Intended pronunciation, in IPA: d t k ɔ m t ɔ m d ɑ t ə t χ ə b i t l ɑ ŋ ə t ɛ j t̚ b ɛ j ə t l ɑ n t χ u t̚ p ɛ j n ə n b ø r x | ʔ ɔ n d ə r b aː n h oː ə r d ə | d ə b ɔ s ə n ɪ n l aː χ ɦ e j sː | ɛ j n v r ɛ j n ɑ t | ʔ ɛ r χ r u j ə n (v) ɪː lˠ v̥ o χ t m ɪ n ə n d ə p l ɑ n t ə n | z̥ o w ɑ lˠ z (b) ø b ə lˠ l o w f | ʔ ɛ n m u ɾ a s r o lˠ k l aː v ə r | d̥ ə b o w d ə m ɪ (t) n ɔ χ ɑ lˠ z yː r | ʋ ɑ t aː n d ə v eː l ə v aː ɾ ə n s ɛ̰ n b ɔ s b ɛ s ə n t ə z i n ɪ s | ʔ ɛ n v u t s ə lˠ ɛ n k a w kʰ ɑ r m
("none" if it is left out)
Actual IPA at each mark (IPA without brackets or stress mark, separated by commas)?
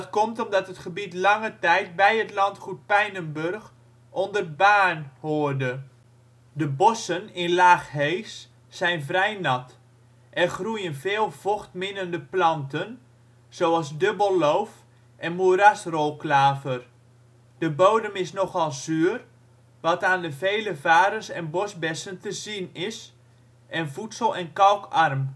v, d, s